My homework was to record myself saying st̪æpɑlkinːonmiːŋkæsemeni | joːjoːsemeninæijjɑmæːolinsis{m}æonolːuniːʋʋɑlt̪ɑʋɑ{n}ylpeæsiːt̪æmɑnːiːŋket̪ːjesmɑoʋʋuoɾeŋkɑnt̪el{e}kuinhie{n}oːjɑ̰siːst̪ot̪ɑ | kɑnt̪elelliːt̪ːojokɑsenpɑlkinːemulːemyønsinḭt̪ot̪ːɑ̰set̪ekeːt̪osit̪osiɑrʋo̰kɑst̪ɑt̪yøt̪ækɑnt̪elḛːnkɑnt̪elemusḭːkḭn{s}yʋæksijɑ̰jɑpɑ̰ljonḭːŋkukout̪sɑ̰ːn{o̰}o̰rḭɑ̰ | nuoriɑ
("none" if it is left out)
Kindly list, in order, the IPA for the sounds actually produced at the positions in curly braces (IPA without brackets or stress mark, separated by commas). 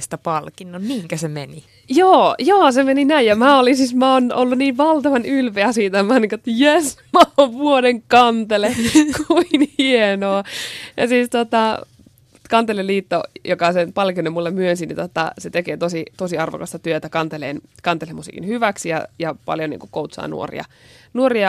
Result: m, n, e, n, h, ṵ